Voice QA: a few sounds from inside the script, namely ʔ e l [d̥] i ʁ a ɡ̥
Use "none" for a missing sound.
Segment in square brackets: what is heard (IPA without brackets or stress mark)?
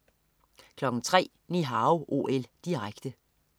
d̥